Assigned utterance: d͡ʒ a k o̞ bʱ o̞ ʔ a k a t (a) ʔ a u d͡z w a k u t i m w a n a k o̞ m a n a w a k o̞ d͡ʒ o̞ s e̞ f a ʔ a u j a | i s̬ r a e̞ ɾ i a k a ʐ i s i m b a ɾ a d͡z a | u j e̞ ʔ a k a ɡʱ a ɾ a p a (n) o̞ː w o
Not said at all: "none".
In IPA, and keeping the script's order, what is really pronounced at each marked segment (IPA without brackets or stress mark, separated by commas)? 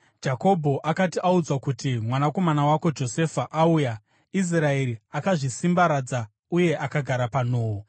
i, n